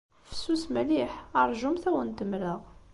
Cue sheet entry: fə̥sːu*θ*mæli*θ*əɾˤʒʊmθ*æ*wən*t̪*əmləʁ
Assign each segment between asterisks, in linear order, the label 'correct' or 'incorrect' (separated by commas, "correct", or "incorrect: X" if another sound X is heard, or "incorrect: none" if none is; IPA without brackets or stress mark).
incorrect: s, incorrect: ħ, correct, correct